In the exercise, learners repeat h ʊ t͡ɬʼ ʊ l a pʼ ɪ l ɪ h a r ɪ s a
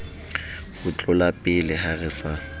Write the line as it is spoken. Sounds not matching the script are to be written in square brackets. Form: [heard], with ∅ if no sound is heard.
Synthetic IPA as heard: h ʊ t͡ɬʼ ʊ l a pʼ ɪ l ɪ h a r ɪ s a